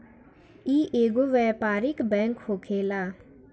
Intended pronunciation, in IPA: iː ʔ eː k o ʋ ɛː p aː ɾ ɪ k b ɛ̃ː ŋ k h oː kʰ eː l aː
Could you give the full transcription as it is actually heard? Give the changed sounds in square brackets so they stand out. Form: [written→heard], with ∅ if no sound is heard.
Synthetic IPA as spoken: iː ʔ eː [k→ɡ] o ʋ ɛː p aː ɾ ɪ k b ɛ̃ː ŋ k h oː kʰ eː l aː